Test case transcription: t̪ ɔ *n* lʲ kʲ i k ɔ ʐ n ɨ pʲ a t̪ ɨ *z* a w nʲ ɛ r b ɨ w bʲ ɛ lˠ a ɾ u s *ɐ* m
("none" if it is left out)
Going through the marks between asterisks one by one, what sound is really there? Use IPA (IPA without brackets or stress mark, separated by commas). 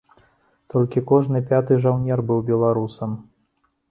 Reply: none, ʐ, ɐ